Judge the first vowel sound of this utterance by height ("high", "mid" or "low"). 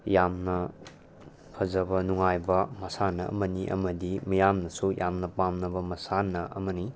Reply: low